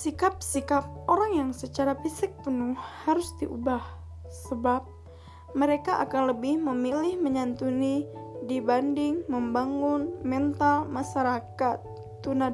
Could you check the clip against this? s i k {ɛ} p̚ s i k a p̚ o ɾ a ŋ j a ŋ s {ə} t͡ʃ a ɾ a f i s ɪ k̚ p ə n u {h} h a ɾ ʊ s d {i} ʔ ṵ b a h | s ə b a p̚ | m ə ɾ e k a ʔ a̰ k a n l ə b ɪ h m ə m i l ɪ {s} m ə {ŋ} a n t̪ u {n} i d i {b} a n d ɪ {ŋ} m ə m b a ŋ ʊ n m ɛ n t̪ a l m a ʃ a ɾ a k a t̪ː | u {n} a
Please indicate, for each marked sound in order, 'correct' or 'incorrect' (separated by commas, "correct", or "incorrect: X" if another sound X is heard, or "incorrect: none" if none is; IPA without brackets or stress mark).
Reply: incorrect: a, correct, correct, correct, incorrect: h, incorrect: ɲ, correct, correct, correct, correct